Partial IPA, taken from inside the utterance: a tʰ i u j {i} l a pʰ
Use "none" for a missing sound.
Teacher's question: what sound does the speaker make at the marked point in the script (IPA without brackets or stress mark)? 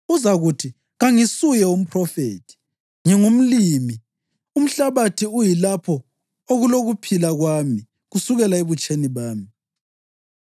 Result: i